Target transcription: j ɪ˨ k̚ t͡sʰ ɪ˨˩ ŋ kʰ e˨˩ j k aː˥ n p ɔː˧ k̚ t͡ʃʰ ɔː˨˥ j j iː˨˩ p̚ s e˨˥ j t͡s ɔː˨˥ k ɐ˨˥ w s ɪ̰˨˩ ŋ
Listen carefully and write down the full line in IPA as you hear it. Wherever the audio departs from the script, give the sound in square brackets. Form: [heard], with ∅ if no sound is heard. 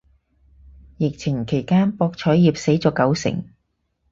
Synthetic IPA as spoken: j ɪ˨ k̚ t͡sʰ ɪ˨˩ ŋ kʰ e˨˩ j k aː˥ n p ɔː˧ k̚ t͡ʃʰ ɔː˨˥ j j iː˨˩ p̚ s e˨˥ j t͡s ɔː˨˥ k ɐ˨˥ w s ɪ̰˨˩ ŋ